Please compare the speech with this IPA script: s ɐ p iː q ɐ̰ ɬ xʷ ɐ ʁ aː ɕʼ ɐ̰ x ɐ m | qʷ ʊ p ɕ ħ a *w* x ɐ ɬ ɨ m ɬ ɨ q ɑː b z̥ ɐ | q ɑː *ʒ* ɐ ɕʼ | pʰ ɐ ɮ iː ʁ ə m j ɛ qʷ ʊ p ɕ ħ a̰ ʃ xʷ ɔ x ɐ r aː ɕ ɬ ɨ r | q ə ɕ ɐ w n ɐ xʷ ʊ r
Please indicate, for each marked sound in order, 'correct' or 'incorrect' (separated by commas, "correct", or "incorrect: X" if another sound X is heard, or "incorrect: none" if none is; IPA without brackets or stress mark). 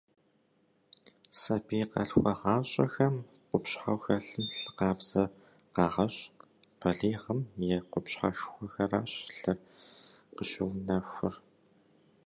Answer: correct, incorrect: ʁ